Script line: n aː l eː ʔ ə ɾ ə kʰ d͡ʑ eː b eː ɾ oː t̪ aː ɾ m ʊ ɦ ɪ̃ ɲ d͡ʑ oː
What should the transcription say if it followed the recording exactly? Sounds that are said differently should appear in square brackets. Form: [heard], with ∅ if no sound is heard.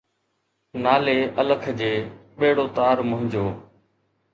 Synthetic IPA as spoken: n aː l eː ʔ ə [l] ə kʰ d͡ʑ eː [ɓ] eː [ɽ] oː t̪ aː ɾ m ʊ ɦ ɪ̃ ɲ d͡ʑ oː